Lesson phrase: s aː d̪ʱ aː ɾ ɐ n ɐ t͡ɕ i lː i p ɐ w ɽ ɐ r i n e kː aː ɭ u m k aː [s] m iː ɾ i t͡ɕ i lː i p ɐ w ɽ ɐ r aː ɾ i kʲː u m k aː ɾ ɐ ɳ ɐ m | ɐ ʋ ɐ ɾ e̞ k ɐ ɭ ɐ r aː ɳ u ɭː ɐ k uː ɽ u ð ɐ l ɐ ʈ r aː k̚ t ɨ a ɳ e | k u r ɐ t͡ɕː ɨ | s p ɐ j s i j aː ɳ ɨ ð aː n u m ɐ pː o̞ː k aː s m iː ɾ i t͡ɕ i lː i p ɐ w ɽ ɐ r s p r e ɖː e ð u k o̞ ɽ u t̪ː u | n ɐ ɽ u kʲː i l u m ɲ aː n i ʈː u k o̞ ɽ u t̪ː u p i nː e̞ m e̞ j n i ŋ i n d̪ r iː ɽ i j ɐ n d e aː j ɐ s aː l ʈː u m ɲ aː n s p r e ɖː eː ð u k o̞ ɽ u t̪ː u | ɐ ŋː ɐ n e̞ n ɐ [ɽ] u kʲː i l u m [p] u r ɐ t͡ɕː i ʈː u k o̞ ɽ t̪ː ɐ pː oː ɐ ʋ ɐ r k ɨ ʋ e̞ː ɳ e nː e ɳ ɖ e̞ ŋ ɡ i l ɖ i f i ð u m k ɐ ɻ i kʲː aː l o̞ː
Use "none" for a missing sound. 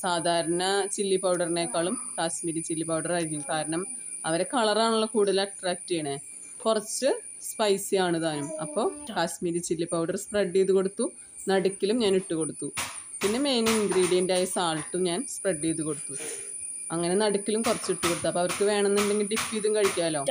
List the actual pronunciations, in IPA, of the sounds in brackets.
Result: s, ɽ, k

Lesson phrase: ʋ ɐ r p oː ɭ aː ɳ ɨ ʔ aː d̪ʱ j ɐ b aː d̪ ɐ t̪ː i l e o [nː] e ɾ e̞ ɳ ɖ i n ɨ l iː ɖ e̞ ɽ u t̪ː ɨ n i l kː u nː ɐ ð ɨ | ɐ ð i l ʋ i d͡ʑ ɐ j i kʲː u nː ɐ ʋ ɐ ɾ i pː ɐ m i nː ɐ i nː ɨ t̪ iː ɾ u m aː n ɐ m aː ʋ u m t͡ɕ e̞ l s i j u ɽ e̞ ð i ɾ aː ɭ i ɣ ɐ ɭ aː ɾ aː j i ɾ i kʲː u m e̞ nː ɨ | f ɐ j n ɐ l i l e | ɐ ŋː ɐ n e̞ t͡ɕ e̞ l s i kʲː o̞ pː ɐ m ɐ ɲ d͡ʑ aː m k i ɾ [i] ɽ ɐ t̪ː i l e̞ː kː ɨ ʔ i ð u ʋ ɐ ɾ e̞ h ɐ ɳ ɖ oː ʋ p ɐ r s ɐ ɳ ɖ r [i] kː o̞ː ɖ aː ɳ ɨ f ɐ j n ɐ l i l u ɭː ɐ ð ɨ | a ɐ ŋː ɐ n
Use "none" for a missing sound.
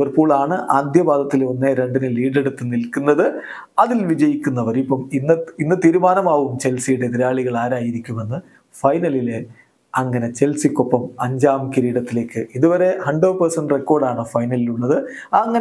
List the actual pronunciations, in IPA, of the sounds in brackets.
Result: nː, iː, e

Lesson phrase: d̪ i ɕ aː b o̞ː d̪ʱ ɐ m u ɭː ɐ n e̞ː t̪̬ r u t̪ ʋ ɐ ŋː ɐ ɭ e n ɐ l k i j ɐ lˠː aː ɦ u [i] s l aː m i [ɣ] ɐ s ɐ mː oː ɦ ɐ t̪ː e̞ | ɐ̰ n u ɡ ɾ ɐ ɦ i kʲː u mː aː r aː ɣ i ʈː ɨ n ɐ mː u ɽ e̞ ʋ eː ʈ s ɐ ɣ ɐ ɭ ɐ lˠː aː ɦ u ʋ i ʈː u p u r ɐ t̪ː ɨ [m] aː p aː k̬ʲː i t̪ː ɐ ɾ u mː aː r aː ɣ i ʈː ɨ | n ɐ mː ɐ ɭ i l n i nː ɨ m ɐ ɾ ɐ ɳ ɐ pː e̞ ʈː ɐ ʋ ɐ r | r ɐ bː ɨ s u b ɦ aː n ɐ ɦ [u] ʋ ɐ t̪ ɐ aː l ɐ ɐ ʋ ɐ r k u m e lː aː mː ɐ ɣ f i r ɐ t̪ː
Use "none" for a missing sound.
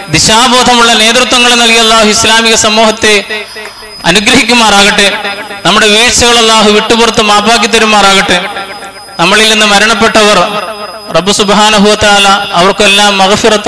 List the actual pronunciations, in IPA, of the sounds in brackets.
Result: i, ɣ, m, u

